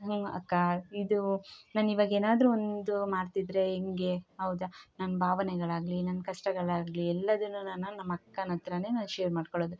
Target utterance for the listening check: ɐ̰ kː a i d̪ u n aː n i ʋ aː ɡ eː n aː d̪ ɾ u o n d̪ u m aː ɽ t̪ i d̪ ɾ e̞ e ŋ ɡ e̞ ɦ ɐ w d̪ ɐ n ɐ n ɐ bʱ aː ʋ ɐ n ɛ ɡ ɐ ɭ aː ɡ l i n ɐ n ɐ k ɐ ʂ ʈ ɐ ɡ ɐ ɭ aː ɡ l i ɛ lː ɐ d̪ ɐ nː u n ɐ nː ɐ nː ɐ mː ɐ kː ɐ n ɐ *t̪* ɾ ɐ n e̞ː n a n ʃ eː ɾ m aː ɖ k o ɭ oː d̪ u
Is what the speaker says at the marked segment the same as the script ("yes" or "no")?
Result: yes